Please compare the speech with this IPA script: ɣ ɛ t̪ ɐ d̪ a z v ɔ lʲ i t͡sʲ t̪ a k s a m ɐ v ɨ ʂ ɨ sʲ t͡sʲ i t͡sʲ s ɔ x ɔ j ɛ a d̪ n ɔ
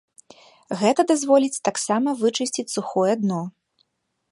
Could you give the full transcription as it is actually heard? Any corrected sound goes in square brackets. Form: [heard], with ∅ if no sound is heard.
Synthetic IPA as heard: ɣ ɛ t̪ ɐ d̪ a z v ɔ lʲ i t͡sʲ t̪ a k s a m ɐ v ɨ [t͡ʂ] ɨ sʲ t͡sʲ i t͡sʲ s [u] x ɔ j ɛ a d̪ n ɔ